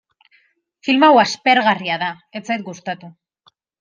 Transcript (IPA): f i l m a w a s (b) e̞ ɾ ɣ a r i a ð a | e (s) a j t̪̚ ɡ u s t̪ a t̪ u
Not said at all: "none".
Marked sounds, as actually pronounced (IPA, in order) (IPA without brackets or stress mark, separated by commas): p, t͡s